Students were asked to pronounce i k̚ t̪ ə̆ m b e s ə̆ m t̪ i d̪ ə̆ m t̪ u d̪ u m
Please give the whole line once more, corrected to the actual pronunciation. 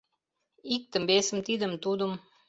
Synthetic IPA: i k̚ t̪ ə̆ m b e s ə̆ m t̪ i d̪ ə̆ m t̪ u d̪ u m